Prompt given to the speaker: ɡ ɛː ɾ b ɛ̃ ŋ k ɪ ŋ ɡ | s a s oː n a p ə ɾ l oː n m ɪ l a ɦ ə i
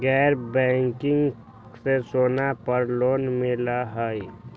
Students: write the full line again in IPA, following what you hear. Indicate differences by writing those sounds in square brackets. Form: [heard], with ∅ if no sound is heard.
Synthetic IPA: ɡ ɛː ɾ b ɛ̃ ŋ k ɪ ŋ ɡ | s [e] s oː n a p ə ɾ l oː n m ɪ l a ɦ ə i